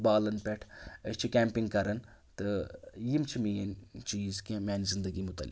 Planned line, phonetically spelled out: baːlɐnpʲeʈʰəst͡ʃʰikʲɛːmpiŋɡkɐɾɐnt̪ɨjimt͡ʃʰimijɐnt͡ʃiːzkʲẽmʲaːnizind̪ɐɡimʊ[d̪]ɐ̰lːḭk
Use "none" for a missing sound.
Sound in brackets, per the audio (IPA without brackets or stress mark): t̪